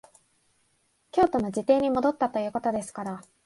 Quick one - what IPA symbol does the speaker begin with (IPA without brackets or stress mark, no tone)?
kʲ